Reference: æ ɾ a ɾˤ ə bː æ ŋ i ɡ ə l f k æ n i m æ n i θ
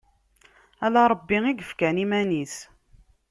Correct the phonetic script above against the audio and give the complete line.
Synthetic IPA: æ l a ɾˤ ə bː i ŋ i ɡ ə f k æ n i m æ n i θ

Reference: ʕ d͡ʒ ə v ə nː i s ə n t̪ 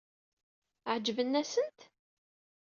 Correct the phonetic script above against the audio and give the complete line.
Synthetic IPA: ʕ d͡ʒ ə v ə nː æ s ə n t̪

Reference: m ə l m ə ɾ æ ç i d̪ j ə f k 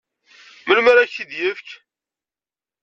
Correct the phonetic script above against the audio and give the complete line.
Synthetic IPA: m ə l m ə ɾ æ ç i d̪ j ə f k

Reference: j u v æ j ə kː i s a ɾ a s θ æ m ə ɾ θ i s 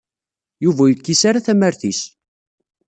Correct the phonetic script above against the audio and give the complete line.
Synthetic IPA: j u v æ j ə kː i s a ɾ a θ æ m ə ɾ θ i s

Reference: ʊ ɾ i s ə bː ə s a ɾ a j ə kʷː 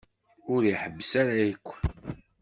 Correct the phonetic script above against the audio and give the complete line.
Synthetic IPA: ʊ ɾ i ħ ə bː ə s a ɾ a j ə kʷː

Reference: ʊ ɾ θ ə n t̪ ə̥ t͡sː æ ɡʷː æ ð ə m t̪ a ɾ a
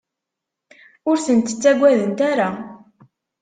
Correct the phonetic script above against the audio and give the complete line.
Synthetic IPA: ʊ ɾ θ ə n t̪ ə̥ t͡sː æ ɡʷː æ ð ə n t̪ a ɾ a

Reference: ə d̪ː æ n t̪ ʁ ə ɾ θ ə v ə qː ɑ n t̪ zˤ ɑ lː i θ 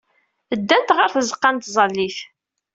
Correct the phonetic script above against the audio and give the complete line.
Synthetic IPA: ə d̪ː æ n t̪ ʁ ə ɾ θ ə z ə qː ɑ n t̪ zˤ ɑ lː i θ

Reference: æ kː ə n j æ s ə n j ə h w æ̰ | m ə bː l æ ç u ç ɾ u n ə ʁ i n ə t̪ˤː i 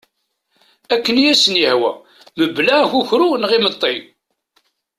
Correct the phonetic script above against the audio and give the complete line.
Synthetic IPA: æ kː ə n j æ s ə n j ə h w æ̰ | m ə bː l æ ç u ç ɾ u n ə ʁ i m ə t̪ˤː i

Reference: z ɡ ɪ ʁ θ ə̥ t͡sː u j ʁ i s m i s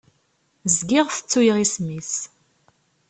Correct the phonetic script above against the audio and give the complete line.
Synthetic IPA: z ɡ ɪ ʁ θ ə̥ t͡sː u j ʁ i s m i s

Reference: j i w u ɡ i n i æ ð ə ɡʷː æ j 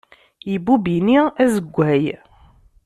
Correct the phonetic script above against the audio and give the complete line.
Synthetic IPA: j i b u b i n i æ z ə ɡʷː æ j

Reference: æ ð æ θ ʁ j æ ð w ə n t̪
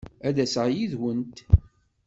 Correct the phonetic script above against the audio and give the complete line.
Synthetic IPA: æ ð æ s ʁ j i ð w ə n t̪

